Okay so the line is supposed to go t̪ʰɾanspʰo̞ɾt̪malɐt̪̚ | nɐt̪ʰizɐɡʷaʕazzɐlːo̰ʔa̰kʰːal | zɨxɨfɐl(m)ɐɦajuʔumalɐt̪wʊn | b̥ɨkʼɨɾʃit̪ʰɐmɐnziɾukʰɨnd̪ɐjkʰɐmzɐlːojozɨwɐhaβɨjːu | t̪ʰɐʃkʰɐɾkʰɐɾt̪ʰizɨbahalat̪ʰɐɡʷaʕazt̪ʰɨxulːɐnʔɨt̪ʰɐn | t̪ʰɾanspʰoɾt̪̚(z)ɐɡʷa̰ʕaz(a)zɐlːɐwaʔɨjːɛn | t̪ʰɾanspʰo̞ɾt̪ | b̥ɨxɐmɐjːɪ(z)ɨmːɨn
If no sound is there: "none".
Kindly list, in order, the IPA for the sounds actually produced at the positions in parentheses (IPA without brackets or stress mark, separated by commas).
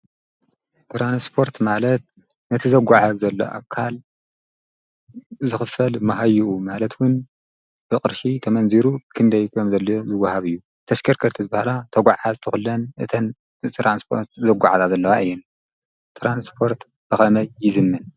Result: m, z, a, z